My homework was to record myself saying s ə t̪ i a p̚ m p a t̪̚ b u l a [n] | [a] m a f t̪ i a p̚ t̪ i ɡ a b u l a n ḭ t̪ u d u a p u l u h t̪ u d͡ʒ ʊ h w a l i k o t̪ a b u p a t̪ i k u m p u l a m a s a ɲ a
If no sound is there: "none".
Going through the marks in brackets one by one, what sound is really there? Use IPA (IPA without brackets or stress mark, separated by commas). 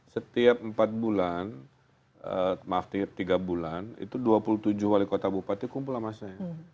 n, ə